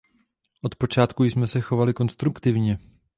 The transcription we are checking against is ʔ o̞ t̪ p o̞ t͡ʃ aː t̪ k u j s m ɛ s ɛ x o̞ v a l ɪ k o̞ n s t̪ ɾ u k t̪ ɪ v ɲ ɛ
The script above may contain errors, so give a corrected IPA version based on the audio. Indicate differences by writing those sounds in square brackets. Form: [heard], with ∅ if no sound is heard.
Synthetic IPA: ʔ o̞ t̪ p o̞ t͡ʃ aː t̪ k u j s m ɛ s ɛ x o̞ v a l ɪ k o̞ n s t̪ ɾ u k t̪ ɪ v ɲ ɛ